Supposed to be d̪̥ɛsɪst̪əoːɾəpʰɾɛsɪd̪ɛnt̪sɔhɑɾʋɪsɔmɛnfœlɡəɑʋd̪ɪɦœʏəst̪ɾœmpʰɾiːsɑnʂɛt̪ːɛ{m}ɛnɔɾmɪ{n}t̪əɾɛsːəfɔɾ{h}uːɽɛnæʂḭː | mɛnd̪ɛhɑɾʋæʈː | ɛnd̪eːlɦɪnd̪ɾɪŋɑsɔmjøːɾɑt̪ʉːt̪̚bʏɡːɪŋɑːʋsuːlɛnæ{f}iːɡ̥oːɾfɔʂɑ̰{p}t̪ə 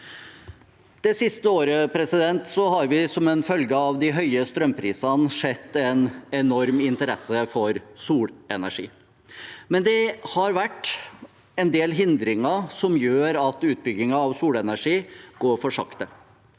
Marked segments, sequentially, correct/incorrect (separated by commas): incorrect, correct, incorrect, incorrect, incorrect